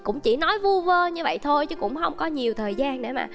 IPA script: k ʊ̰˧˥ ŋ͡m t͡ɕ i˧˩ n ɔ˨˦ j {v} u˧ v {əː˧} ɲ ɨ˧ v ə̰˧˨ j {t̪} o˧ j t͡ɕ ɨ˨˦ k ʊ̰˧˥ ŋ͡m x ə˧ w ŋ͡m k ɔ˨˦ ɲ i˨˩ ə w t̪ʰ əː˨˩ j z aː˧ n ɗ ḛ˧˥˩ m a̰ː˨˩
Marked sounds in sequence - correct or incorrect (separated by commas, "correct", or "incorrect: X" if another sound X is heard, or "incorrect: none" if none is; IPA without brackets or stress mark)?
correct, correct, incorrect: t̪ʰ